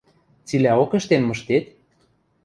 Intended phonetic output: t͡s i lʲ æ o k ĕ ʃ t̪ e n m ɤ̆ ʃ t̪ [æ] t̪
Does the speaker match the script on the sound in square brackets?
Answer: no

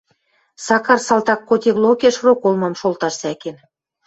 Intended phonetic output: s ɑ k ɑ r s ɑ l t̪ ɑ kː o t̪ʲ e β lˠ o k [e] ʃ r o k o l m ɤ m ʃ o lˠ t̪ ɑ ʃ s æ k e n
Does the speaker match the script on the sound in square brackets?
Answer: yes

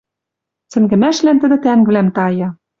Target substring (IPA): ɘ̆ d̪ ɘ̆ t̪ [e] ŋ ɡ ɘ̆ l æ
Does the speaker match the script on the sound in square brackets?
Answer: no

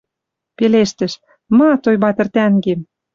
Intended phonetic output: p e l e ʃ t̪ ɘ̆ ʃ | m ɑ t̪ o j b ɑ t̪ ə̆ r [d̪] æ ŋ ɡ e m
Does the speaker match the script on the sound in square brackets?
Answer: no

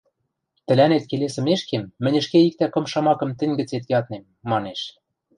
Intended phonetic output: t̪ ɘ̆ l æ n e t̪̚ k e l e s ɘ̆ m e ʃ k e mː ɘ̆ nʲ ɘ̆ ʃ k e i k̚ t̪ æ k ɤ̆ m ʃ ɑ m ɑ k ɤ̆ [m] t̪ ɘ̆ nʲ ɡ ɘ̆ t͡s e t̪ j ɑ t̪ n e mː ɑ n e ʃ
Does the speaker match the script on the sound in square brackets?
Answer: yes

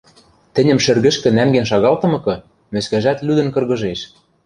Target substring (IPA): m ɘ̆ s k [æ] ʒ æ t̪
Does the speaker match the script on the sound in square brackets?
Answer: yes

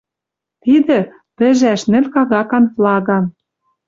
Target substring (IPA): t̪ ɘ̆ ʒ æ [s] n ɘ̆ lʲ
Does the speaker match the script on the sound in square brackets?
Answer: no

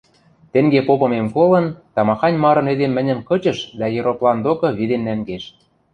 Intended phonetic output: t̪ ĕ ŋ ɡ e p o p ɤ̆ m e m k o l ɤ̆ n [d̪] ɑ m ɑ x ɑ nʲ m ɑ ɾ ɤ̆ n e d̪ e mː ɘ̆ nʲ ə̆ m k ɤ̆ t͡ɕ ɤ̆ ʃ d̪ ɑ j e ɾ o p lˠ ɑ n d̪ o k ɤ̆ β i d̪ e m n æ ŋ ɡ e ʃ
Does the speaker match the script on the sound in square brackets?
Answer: no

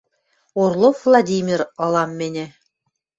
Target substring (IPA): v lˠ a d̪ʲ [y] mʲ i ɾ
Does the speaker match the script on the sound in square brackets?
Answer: no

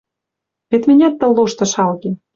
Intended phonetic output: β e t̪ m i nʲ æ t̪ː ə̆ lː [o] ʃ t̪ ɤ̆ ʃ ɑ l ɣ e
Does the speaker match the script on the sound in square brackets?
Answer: yes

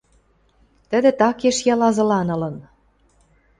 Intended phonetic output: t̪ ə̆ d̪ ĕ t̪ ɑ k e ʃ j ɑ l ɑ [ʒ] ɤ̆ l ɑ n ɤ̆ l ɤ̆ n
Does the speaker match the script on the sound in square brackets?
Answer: no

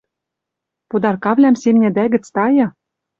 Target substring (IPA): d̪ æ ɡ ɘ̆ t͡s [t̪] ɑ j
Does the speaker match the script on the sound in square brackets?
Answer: yes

